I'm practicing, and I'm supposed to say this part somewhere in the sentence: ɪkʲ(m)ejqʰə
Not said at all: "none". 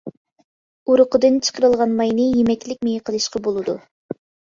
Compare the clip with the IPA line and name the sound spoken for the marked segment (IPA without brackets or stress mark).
m